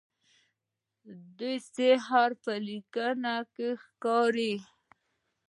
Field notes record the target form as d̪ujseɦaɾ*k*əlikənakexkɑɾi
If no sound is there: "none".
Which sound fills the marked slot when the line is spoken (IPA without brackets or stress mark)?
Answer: p